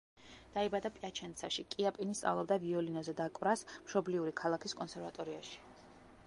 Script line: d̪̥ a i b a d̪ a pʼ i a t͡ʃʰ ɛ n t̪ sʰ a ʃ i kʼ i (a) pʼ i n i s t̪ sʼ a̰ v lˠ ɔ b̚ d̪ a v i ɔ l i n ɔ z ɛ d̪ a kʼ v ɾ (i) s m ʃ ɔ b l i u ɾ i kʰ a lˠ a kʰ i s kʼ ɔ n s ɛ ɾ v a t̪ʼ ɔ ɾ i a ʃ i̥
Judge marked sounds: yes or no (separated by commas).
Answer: yes, no